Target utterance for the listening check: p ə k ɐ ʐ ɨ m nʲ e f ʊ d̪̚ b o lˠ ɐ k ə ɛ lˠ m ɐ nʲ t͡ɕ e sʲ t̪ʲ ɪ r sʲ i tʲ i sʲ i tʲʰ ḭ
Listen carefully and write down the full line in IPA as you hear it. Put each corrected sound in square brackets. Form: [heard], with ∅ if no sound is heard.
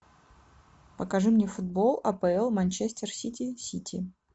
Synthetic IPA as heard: p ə k ɐ ʐ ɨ m nʲ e f ʊ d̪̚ b o lˠ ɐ [p] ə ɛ lˠ m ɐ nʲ t͡ɕ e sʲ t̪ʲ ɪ r sʲ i tʲ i sʲ i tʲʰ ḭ